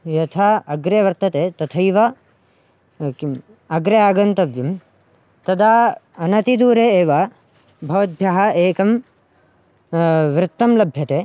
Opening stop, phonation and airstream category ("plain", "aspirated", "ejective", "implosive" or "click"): aspirated